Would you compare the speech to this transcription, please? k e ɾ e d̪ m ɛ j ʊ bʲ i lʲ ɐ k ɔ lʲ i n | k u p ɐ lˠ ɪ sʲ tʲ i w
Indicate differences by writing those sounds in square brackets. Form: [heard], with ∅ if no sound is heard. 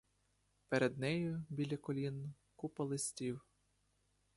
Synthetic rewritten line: [p] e ɾ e d̪ [n] ɛ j ʊ bʲ i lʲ ɐ k ɔ lʲ i n | k u p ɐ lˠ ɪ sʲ tʲ i w

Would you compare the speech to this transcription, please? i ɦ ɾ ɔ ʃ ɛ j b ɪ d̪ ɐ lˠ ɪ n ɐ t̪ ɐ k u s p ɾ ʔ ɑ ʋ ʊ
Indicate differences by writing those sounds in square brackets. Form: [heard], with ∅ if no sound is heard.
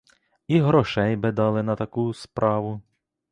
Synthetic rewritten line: i ɦ ɾ ɔ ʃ ɛ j b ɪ d̪ [ɑ] lˠ ɪ n ɐ t̪ ɐ k u s p ɾ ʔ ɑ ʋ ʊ

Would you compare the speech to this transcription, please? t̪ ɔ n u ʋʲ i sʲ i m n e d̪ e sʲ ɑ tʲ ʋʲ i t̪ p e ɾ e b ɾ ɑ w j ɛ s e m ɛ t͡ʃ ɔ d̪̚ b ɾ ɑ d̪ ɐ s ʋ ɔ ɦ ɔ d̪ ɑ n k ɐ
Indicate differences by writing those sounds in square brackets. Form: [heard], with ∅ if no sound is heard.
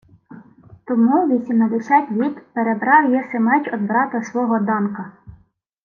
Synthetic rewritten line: t̪ ɔ [m] u ʋʲ i sʲ i m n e d̪ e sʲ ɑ tʲ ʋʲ i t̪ p e ɾ e b ɾ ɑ w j ɛ s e m ɛ t͡ʃ ɔ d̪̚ b ɾ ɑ [t̪] ɐ s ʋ ɔ ɦ ɔ d̪ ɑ n k ɐ

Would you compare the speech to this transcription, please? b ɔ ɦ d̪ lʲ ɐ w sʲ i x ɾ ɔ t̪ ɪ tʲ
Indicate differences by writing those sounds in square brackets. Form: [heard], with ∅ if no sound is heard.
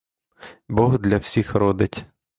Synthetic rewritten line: b ɔ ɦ d̪ lʲ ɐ w sʲ i x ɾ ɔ [d̪] ɪ tʲ

